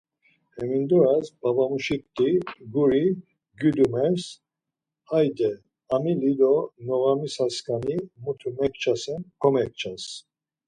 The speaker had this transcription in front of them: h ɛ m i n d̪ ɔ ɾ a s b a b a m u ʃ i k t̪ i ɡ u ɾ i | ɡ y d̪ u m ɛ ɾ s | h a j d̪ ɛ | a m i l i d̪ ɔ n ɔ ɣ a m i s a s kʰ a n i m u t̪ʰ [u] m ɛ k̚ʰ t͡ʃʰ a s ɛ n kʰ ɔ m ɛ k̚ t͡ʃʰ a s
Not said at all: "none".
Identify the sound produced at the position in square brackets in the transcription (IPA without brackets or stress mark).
u